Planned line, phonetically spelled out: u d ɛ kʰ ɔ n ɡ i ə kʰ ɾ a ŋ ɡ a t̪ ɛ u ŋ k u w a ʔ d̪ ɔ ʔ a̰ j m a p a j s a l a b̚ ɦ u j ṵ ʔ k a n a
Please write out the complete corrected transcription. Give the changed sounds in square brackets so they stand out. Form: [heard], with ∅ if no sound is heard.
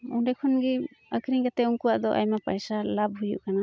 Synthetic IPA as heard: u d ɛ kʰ ɔ n ɡ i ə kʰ ɾ [i] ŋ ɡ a t̪ ɛ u ŋ k u w a ʔ d̪ ɔ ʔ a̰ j m a p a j s a l a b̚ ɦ u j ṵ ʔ k a n a